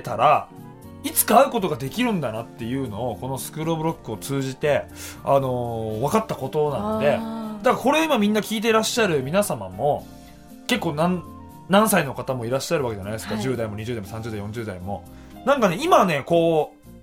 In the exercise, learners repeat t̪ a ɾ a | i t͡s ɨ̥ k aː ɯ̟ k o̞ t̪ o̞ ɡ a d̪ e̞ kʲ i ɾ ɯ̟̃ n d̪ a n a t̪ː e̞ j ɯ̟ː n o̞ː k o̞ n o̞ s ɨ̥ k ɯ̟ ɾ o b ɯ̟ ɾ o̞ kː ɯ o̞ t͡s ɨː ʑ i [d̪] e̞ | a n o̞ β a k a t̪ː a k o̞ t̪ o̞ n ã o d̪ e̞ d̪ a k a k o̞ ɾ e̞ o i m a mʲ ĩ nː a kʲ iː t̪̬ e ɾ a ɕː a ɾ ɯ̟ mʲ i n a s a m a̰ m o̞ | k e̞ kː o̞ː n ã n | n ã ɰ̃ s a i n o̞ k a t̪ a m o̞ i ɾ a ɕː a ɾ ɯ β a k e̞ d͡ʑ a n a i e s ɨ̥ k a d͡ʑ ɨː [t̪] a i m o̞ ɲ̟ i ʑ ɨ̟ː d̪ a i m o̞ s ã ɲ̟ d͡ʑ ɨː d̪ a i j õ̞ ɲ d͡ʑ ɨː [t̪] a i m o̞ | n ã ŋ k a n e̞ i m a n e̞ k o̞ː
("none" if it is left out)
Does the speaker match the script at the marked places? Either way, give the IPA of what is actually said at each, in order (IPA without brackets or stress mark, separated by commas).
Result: t̪, d̪, d̪